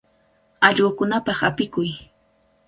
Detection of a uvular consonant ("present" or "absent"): present